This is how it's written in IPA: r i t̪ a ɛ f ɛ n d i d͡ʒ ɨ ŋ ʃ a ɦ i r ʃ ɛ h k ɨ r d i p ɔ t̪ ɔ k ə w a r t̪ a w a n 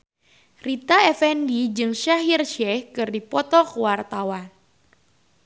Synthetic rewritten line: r i t̪ a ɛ f ɛ n d i d͡ʒ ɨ ŋ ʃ a ɦ i r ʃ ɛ h k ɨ r d i p ɔ t̪ ɔ k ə w a r t̪ a w a n